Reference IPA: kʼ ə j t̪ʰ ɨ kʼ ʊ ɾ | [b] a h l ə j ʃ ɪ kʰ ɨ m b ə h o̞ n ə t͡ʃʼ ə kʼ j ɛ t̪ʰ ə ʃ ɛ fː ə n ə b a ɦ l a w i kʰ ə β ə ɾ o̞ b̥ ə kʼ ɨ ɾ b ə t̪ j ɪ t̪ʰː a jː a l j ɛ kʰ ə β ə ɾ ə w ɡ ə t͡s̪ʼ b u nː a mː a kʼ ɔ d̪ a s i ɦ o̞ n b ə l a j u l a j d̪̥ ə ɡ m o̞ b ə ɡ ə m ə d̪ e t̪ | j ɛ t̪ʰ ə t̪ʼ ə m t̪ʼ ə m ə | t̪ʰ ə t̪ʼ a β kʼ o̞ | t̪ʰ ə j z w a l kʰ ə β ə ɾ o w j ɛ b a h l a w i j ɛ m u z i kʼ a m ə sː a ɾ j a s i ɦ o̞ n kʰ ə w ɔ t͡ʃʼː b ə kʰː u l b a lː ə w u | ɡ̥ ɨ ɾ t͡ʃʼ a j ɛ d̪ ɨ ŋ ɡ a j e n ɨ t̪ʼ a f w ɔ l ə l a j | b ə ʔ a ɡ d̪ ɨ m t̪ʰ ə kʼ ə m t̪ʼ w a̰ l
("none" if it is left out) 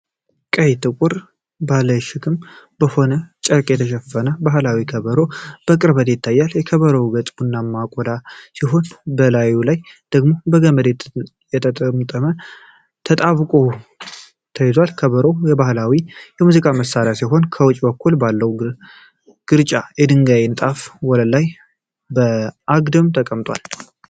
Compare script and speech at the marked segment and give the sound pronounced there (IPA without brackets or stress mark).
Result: b